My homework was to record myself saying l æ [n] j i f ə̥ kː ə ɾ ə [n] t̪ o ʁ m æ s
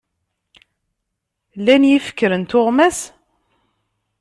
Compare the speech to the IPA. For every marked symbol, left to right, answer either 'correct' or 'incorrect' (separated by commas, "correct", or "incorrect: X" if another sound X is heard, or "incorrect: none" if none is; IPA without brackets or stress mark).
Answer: correct, correct